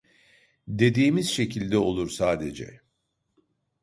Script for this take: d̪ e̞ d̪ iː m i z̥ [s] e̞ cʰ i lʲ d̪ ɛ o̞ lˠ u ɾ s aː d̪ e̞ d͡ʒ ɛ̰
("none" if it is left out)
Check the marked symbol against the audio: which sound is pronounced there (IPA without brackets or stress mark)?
ʃ